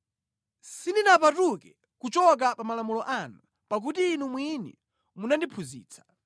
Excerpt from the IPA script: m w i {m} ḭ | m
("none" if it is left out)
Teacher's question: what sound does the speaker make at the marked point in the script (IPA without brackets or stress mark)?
n